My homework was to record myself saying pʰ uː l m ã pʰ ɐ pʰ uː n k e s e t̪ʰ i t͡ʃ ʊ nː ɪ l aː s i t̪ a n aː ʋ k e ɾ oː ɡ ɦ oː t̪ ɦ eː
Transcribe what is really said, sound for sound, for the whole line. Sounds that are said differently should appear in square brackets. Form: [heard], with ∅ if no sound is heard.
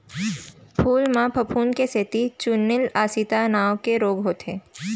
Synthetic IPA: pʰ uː l m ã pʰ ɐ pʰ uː n k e s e [t̪] i t͡ʃ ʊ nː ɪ l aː s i t̪ a n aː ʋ k e ɾ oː ɡ ɦ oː t̪ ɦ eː